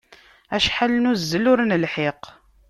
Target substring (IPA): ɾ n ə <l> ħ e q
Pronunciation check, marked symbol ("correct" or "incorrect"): correct